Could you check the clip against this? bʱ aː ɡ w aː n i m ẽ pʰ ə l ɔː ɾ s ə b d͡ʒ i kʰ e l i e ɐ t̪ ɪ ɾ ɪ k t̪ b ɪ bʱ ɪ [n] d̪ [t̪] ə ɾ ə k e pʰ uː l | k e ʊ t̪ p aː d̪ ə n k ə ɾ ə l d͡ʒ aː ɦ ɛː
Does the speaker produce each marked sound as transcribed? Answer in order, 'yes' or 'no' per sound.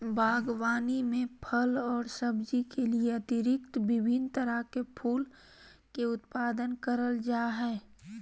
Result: yes, yes

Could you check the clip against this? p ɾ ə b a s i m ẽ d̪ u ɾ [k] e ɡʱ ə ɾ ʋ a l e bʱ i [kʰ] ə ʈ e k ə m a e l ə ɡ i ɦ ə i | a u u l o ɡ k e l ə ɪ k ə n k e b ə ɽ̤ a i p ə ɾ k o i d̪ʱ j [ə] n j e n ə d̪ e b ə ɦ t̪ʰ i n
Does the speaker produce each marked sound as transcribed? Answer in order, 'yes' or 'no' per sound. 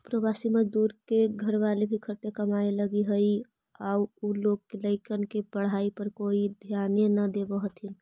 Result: yes, yes, no

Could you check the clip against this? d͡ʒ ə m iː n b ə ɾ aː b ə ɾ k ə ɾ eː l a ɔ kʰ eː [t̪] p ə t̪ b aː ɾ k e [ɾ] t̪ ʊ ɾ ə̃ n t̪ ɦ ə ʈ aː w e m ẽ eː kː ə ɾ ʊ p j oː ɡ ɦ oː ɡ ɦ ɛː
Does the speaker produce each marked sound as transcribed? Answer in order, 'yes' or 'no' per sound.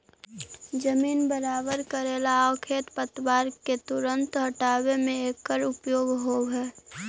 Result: yes, no

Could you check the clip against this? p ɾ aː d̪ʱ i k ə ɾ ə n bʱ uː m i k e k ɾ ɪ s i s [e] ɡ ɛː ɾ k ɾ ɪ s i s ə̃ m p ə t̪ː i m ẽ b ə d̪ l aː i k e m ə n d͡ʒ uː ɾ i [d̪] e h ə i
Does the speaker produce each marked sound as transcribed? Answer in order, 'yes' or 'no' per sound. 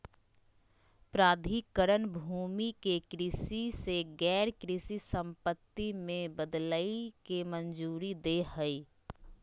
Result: yes, yes

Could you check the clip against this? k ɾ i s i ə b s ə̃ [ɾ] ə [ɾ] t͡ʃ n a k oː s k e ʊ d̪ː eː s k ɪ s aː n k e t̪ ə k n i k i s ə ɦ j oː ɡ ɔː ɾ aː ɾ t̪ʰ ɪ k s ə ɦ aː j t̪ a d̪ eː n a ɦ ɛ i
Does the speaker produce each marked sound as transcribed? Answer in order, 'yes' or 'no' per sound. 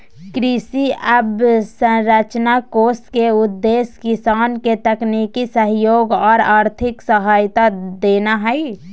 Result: yes, no

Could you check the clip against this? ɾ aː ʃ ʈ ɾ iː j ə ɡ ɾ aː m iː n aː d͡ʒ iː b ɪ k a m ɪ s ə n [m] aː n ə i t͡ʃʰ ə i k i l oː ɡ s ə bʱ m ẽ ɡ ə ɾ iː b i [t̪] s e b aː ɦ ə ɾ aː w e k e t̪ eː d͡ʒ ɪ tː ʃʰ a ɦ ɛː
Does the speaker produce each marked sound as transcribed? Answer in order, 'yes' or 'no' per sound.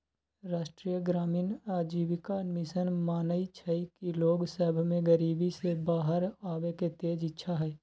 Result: yes, no

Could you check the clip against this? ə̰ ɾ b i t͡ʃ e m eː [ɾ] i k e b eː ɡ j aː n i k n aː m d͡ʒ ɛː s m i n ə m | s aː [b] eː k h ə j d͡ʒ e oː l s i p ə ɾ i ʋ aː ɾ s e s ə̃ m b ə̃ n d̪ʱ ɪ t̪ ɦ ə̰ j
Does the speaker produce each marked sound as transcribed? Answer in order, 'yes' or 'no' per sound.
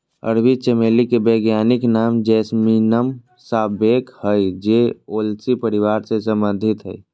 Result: no, yes

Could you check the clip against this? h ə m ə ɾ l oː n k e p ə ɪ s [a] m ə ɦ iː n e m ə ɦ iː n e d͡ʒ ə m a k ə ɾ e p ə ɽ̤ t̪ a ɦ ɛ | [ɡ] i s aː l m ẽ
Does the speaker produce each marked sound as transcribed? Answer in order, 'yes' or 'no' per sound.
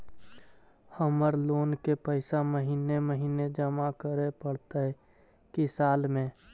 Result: yes, no

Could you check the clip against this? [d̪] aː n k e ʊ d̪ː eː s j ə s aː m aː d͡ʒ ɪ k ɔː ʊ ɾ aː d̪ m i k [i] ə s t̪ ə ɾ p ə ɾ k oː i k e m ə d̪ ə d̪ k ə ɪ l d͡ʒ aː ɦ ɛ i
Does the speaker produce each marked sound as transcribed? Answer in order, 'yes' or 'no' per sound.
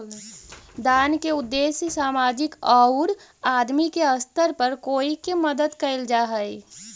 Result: yes, no

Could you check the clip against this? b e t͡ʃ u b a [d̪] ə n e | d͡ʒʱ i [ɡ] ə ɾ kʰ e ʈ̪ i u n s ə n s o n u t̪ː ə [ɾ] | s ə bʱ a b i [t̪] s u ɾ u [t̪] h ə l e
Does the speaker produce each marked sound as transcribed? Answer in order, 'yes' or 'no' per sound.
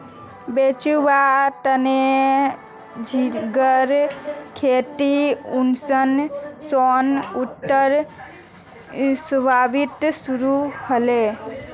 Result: no, yes, yes, yes, no

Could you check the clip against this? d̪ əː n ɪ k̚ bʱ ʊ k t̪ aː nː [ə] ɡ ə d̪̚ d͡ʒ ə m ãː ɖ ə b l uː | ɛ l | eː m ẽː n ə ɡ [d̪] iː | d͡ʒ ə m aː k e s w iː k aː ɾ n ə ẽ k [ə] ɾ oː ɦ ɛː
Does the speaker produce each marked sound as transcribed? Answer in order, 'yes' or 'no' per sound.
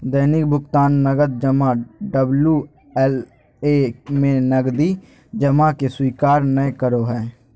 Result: yes, yes, yes

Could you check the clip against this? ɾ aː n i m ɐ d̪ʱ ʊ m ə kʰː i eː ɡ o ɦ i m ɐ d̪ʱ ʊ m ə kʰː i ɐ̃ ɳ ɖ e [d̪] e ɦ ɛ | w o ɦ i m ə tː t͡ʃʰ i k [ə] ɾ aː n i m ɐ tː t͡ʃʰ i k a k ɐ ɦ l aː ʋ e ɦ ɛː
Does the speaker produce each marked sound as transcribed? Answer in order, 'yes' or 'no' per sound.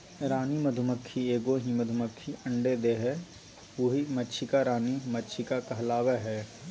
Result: yes, no

